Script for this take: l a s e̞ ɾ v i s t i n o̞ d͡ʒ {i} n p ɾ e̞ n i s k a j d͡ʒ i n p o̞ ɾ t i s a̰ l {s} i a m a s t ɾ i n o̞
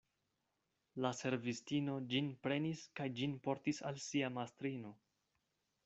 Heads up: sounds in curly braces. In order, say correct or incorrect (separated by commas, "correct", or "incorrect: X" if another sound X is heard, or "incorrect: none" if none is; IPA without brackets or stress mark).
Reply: correct, correct